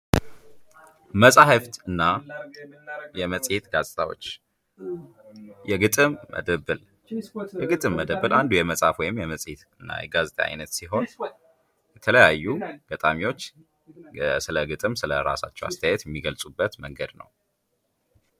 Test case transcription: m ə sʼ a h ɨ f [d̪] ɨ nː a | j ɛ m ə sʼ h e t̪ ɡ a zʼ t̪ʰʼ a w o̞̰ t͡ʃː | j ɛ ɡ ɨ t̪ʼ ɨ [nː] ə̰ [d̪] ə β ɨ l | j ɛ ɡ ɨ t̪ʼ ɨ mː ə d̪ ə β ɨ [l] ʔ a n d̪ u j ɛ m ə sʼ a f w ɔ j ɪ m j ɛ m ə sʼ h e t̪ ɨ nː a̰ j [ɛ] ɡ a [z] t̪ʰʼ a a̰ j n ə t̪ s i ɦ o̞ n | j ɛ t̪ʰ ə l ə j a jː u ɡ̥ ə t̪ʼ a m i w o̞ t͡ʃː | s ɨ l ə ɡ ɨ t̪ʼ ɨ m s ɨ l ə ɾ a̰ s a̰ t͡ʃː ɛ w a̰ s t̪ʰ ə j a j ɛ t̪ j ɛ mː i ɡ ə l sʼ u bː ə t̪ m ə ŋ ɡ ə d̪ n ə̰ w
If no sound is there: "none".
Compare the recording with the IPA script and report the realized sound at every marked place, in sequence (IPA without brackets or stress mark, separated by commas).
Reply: t̪, mː, d̪, l, ɛ, z